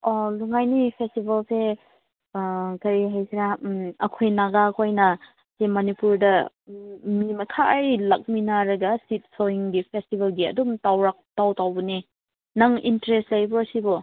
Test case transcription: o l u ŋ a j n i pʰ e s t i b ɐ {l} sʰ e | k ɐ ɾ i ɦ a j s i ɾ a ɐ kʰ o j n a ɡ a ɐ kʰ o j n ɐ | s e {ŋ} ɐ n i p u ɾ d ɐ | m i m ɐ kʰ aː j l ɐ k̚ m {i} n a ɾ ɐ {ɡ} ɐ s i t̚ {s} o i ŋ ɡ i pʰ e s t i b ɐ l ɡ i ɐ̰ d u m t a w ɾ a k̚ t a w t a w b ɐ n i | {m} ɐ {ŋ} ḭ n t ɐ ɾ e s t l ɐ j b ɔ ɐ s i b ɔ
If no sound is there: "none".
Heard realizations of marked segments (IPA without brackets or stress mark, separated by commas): l, m, i, ɡ, s, n, ŋ